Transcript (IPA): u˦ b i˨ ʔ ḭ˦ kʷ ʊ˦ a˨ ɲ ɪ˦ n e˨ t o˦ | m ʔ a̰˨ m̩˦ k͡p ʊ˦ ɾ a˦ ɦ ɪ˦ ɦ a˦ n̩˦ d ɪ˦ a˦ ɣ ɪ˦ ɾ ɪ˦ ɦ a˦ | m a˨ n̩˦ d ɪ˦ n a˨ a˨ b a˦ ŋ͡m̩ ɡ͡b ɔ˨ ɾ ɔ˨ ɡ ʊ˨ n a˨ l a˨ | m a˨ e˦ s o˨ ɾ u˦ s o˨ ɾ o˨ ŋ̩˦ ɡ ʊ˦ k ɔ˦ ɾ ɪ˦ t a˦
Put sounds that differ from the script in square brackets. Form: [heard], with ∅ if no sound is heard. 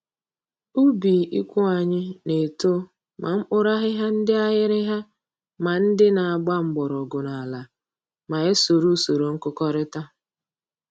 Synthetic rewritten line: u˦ b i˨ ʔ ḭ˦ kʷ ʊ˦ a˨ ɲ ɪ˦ n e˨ t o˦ | m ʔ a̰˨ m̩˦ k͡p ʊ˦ ɾ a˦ ɦ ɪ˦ ɦ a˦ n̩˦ d ɪ˦ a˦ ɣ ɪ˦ ɾ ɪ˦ ɦ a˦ | m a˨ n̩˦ d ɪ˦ n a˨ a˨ [ɡ͡b] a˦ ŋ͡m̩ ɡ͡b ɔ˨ ɾ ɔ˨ ɡ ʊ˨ n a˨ l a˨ | m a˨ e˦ s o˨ ɾ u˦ s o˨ ɾ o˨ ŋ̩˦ [k] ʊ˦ k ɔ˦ ɾ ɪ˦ t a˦